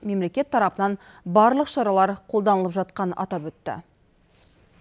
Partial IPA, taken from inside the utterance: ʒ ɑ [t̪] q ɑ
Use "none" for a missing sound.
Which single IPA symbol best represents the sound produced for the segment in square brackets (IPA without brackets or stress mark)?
t̪